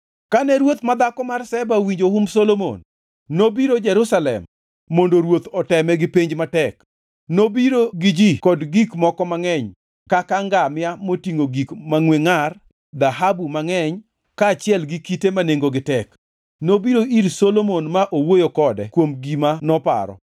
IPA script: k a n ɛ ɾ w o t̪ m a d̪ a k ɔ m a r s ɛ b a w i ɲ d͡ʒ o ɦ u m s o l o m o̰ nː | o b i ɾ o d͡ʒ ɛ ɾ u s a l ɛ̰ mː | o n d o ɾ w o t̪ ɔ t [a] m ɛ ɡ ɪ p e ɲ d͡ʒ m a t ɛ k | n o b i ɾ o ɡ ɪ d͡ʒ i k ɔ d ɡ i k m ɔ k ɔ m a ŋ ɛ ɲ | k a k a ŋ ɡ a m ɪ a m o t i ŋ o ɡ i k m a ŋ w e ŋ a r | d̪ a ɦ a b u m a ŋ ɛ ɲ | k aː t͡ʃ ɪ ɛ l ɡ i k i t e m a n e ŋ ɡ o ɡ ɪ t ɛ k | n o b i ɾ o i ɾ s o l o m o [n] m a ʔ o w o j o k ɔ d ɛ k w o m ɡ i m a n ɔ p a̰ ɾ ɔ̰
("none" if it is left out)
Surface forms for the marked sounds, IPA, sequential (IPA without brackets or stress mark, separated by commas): ɛ, n